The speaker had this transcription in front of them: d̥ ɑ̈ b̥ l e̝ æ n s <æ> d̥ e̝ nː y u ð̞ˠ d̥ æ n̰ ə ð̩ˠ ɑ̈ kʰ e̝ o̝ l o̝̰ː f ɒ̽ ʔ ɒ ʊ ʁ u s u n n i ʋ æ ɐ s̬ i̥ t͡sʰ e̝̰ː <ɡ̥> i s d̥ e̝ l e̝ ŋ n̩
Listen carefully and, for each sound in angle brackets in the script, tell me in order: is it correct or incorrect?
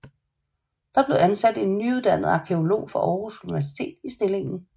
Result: correct, incorrect: d̥

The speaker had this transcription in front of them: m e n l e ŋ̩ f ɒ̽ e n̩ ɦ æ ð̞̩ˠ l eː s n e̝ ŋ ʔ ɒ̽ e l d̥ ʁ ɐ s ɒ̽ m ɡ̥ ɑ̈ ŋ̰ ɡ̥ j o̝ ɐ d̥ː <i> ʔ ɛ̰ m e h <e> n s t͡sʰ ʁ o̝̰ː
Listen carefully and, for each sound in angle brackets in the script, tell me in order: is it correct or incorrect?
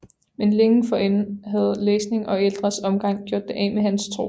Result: incorrect: e, incorrect: æ

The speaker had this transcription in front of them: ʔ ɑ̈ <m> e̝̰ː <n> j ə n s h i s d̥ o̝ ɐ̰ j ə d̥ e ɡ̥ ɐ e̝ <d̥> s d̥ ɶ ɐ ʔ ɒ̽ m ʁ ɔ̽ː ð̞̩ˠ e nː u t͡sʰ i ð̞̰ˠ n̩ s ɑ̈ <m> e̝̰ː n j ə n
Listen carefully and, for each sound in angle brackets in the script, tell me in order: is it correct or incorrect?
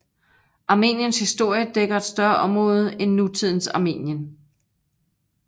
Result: correct, correct, correct, correct

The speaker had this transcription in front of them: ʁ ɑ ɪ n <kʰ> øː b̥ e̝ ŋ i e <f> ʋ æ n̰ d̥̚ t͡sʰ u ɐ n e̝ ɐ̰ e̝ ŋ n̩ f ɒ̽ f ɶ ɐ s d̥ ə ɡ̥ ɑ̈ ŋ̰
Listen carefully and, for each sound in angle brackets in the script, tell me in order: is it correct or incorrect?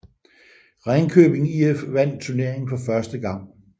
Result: correct, correct

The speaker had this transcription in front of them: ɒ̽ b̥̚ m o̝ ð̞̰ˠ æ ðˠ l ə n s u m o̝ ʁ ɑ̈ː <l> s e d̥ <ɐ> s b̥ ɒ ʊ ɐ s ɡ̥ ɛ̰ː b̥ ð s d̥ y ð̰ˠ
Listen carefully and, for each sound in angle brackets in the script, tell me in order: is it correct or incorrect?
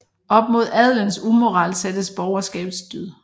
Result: correct, incorrect: ə

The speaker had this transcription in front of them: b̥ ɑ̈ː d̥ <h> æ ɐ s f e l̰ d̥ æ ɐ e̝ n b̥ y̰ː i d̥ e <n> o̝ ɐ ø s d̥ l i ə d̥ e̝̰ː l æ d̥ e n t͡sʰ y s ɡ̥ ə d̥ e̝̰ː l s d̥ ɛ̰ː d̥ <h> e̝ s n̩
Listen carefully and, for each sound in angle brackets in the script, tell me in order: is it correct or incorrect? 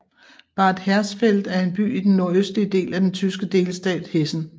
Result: correct, incorrect: nː, correct

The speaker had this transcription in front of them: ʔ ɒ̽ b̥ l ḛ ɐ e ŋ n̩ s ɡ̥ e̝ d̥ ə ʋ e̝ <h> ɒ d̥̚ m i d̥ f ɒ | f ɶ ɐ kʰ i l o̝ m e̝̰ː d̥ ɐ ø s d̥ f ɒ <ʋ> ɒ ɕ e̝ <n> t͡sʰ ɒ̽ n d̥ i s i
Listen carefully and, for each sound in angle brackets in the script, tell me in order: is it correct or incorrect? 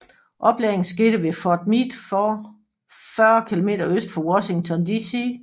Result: incorrect: f, incorrect: w, incorrect: ŋ

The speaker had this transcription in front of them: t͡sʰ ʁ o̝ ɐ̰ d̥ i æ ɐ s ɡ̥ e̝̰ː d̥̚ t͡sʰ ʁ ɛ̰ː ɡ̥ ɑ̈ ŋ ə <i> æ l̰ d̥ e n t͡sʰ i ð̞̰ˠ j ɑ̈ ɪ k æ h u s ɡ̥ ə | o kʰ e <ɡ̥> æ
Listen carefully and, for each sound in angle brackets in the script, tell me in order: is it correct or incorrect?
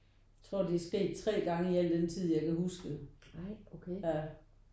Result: correct, incorrect: none

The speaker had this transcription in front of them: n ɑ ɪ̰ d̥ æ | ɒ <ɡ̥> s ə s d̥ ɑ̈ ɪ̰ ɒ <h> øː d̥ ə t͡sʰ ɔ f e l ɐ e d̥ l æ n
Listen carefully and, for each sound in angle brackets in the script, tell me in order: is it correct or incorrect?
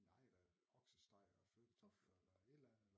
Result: correct, incorrect: f

